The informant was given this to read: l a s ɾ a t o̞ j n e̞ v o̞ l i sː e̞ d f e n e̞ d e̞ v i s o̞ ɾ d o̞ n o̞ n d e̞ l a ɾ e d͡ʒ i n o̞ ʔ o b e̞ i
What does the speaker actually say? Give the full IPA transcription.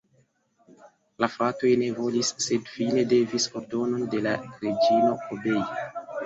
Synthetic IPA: l a f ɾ a t o̞ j n e̞ v o̞ l i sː e̞ d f i n e̞ d e̞ v i s o̞ ɾ d o̞ n o̞ n d e̞ l a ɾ e d͡ʒ i n o̞ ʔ o b e̞ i